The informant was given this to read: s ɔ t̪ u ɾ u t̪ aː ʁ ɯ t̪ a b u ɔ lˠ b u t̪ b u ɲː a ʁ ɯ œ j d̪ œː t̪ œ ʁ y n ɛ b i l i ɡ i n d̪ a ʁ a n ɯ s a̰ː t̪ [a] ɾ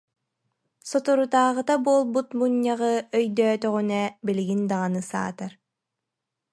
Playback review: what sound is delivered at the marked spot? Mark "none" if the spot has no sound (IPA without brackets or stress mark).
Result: a